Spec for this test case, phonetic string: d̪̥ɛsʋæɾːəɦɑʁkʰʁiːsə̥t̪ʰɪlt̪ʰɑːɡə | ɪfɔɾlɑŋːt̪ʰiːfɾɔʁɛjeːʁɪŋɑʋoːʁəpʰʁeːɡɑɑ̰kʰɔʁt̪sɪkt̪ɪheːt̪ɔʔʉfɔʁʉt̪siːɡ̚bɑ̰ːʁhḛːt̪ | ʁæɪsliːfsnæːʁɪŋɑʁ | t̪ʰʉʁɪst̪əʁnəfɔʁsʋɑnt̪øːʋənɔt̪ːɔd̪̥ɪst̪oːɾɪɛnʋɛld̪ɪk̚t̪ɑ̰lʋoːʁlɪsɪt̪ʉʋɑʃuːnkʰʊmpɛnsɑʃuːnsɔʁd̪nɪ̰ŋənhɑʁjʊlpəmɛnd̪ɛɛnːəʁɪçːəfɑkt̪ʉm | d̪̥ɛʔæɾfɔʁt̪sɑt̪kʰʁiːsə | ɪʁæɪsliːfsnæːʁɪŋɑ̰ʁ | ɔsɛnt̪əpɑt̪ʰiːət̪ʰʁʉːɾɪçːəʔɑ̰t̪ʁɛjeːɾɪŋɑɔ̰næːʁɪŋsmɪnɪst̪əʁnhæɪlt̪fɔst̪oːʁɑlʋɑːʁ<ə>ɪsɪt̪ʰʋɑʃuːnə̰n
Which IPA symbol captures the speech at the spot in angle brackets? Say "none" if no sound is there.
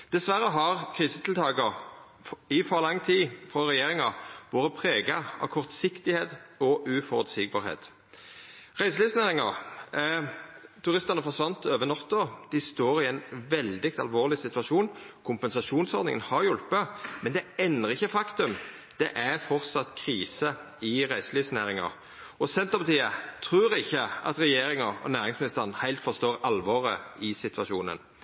ə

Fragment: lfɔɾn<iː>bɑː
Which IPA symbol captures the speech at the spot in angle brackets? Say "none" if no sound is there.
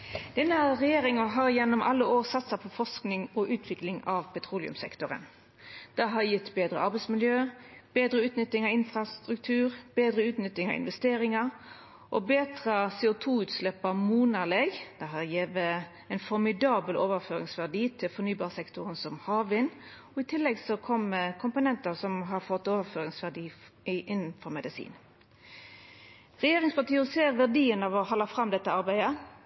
yː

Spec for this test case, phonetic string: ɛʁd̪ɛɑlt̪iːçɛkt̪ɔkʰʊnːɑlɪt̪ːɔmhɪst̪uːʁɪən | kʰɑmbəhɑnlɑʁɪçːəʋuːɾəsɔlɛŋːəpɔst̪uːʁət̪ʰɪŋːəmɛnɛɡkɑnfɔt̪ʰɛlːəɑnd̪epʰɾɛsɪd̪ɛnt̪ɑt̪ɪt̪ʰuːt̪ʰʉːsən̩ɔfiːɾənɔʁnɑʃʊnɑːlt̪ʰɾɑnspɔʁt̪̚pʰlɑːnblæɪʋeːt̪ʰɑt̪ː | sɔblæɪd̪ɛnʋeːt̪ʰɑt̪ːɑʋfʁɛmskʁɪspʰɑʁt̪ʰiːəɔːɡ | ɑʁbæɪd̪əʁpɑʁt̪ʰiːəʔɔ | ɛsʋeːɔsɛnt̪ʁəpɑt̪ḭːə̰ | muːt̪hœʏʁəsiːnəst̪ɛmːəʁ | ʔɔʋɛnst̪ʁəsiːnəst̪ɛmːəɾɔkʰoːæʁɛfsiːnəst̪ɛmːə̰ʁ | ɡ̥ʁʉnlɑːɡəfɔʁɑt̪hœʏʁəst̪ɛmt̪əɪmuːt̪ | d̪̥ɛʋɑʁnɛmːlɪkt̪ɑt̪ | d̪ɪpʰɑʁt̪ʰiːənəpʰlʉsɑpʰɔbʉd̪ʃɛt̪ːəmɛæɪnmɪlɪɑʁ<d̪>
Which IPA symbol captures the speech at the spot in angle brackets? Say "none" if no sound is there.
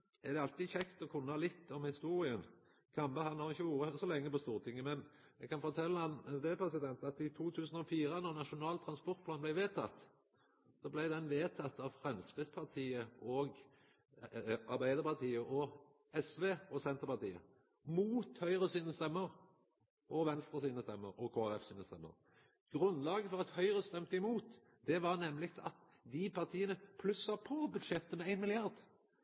d̪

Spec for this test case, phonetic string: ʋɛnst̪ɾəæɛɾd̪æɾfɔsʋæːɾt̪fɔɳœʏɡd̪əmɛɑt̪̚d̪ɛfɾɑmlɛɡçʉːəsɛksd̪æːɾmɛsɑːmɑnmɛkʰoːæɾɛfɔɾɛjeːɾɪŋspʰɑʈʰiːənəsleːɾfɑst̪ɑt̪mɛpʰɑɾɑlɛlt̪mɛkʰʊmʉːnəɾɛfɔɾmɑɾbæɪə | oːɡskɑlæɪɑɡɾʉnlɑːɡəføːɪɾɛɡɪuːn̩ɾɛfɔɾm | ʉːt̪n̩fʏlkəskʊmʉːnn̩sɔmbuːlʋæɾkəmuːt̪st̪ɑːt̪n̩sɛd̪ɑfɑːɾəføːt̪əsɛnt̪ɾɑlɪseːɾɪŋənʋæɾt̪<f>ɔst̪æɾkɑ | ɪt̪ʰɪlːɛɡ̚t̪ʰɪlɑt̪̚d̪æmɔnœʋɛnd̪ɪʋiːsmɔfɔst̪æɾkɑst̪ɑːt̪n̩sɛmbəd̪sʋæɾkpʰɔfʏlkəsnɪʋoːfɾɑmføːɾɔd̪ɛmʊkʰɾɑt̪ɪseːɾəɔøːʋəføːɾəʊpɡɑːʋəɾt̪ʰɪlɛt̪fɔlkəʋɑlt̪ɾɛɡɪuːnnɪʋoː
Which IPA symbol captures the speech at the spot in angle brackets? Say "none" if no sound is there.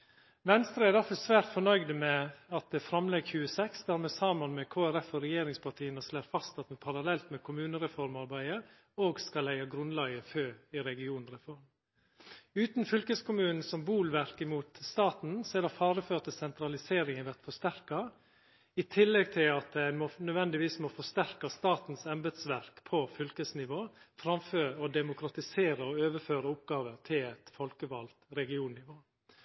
f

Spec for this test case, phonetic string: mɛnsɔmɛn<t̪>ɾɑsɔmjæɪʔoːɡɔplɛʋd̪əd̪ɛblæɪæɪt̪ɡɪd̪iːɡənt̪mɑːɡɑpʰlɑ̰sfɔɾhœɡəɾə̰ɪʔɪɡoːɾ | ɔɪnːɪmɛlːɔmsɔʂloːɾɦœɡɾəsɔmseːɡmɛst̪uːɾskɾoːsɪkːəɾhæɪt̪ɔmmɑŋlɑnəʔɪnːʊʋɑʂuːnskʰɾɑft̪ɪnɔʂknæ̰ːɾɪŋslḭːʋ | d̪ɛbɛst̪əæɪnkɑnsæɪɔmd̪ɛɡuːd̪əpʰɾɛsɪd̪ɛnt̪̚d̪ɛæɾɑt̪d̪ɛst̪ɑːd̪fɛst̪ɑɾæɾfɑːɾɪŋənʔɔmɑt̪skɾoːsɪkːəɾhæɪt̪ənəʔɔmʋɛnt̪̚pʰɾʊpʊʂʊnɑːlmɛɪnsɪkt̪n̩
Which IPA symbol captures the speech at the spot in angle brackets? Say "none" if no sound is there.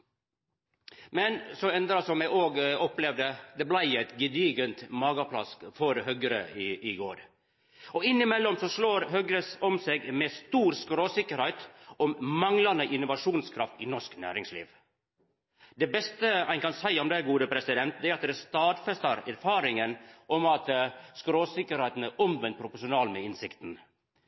d̪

